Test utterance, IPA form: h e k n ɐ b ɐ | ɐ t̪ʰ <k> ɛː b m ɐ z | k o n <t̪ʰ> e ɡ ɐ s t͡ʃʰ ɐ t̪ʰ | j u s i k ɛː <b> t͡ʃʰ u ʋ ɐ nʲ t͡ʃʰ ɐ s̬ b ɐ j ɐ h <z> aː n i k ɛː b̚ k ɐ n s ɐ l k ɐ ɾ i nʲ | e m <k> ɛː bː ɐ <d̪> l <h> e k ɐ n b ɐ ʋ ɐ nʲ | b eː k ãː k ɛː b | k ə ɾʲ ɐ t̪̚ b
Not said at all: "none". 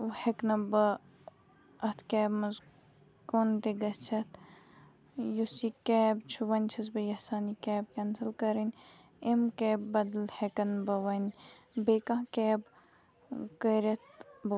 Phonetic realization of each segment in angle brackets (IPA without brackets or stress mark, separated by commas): k, t̪, b, s, k, d̪, h